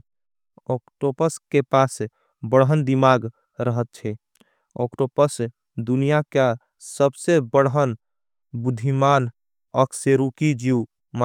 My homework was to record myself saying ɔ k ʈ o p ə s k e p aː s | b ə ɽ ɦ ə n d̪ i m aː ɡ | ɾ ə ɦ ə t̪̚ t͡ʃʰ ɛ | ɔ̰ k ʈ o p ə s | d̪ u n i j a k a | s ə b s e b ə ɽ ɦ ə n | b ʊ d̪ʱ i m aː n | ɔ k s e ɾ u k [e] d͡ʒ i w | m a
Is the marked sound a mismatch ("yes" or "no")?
yes